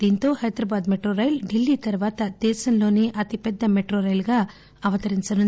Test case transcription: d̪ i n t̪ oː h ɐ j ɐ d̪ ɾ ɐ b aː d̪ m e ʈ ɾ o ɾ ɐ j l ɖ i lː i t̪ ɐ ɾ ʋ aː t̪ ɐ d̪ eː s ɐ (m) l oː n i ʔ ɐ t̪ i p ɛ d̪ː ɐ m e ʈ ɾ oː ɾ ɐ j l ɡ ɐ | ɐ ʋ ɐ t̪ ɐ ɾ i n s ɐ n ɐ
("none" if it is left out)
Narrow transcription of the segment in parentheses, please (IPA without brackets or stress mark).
n